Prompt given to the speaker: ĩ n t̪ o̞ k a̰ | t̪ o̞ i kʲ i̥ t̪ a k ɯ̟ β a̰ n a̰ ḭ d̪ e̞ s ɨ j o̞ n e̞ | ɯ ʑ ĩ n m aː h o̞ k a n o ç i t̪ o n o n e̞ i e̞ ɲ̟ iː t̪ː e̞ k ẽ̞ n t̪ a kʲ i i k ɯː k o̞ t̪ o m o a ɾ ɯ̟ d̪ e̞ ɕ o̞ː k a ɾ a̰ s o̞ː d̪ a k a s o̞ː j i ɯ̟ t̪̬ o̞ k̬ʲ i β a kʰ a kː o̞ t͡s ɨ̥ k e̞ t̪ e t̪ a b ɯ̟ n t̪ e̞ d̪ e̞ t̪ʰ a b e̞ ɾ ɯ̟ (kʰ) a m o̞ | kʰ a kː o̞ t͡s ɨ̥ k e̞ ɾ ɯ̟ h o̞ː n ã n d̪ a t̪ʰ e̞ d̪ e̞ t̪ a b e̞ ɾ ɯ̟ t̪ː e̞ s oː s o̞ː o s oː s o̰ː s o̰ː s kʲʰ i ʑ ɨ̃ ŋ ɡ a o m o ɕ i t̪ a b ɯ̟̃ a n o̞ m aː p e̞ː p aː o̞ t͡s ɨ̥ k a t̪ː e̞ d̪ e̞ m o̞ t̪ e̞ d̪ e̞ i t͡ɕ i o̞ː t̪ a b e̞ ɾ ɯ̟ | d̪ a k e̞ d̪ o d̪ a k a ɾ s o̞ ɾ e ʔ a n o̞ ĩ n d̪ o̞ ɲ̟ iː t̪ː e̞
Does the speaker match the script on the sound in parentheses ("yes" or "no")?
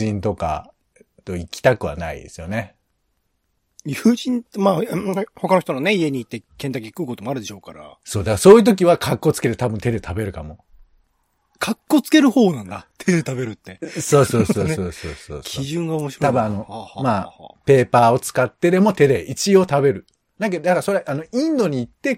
no